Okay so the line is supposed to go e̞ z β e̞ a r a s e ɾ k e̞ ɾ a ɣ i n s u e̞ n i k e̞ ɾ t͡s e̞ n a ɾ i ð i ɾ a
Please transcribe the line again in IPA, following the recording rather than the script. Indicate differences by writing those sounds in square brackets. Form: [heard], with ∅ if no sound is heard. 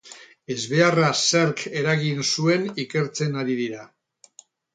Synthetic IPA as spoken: e̞ z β e̞ a r a s e ɾ k e̞ ɾ a ɣ i n s u e̞ n i k e̞ ɾ t͡s e̞ n a ɾ i ð i ɾ a